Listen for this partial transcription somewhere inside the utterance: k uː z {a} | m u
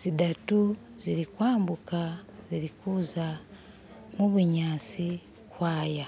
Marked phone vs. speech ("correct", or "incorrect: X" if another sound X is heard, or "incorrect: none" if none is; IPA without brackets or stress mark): correct